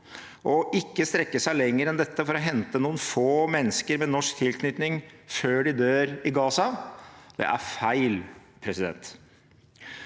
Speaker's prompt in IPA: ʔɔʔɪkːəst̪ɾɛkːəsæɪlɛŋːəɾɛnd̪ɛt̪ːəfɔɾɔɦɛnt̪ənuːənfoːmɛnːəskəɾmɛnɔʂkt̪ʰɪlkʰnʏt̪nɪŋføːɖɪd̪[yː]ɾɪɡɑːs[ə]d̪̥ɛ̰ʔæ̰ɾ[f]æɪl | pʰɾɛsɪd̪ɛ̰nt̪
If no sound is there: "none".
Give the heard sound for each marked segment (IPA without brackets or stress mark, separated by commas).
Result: øː, ɑ, f